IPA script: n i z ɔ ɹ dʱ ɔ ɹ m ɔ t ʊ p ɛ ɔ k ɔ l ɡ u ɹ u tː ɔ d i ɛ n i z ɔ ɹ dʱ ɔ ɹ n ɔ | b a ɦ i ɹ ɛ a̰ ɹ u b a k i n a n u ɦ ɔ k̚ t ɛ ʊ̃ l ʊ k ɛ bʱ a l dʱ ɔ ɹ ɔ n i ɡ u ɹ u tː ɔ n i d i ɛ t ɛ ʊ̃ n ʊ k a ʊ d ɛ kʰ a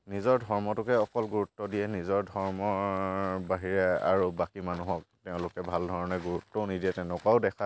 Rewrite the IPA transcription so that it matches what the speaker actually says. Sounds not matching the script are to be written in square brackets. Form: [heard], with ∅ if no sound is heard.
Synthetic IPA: n i z ɔ ɹ dʱ ɔ ɹ m ɔ t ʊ [k] ɛ ɔ k ɔ l ɡ u ɹ u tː ɔ d i ɛ n i z ɔ ɹ dʱ ɔ ɹ [m] ɔ | b a ɦ i ɹ ɛ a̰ ɹ u b a k i [m] a n u ɦ ɔ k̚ t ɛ ʊ̃ l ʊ k ɛ bʱ a l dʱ ɔ ɹ ɔ n [ɛ] ɡ u ɹ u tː ɔ n i d i ɛ t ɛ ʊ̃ n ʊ k a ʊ d ɛ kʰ a

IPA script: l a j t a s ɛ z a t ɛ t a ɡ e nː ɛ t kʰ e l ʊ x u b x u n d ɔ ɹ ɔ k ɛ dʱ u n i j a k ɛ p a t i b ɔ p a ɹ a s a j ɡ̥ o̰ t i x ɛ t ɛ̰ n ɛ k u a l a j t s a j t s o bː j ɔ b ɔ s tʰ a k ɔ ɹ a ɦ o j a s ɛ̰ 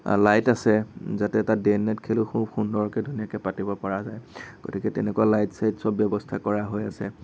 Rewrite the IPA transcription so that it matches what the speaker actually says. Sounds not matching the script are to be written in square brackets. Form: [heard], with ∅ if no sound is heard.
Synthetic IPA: l a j t a s ɛ z a t ɛ t a [d] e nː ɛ t kʰ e l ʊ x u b x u n d ɔ ɹ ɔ k ɛ dʱ u n i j a k ɛ p a t i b ɔ p a ɹ a [z] a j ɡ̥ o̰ t i [k] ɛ t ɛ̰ n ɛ k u a l a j t s a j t s [ɔ] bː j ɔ b ɔ s tʰ a k ɔ ɹ a ɦ o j a s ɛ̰

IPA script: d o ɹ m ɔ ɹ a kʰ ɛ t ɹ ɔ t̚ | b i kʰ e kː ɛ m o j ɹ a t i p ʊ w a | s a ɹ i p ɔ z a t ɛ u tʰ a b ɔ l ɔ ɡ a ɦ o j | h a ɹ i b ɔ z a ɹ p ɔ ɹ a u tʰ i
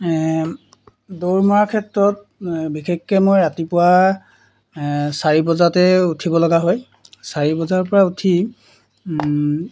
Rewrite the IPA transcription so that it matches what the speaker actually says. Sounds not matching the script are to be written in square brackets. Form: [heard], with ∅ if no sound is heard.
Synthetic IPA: d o ɹ m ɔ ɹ a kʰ ɛ t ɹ ɔ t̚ | b i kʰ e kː ɛ m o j ɹ a t i p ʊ w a | s a ɹ i [b] ɔ z a t ɛ u tʰ [i] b ɔ l ɔ ɡ a ɦ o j | [s] a ɹ i b ɔ z a ɹ p ɔ ɹ a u tʰ i

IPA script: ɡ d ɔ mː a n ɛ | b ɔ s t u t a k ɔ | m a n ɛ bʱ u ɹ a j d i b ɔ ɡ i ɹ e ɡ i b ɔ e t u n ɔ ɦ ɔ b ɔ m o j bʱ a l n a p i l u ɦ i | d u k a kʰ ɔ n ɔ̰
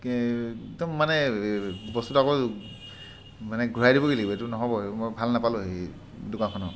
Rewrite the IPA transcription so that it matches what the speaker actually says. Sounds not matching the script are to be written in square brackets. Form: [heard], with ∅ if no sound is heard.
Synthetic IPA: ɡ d ɔ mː a n ɛ | b ɔ s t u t a k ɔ | m a n ɛ [ɡʱ] u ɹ a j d i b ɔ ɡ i [l] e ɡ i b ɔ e t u n ɔ ɦ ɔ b ɔ m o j bʱ a l n a p [a] l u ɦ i | d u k a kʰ ɔ n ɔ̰

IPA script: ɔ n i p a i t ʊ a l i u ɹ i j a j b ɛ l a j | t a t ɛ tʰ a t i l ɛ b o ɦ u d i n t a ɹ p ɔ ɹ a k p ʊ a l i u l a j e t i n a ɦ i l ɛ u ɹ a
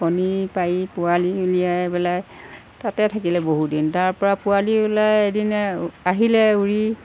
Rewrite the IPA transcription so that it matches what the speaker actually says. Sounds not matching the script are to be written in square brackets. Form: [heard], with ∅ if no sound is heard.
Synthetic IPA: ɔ n i p a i [p] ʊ a l i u [l] i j a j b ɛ l a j | t a t ɛ tʰ a [k] i l ɛ b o ɦ u d i n t a ɹ p ɔ ɹ a [∅] p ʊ a l i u l a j e [d] i n a ɦ i l ɛ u ɹ [i]

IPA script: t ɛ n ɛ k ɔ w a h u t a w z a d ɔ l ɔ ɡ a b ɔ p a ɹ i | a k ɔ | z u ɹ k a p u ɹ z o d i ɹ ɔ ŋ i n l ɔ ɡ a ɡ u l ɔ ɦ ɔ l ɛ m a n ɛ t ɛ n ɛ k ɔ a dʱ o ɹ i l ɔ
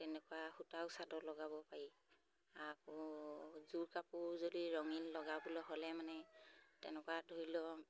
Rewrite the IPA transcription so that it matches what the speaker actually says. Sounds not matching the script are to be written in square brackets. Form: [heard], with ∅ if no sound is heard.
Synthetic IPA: t ɛ n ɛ k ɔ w a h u t a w [s] a d ɔ l ɔ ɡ a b ɔ p a ɹ i | a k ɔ | z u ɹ k a p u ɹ z o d i ɹ ɔ ŋ i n l ɔ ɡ a [b] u l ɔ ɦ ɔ l ɛ m a n ɛ t ɛ n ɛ k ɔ a dʱ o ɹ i l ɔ

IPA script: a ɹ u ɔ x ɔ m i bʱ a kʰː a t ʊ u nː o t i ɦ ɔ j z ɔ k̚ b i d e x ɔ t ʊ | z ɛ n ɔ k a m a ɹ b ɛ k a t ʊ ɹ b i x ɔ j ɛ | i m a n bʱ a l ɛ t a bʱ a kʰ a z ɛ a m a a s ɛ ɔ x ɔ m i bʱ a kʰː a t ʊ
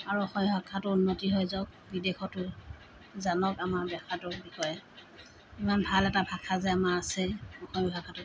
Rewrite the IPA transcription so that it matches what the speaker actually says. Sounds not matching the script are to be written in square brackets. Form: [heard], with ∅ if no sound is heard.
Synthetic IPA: a ɹ u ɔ x ɔ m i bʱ a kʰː a t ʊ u nː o t i ɦ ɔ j z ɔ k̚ b i d e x ɔ t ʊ | z [a] n ɔ k a m a ɹ b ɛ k a t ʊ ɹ b i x ɔ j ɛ | i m a n bʱ a l ɛ t a bʱ a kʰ a z ɛ a m a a s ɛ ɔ x ɔ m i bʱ a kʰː a t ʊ

